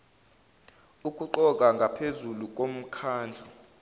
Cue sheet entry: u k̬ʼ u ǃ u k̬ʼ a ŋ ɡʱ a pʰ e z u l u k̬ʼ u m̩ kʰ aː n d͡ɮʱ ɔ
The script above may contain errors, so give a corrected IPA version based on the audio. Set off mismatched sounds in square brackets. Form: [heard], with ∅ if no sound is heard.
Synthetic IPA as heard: u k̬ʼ u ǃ [ɔ] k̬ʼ a ŋ ɡʱ a pʰ e z u l u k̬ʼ [o] m̩ kʰ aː n d͡ɮʱ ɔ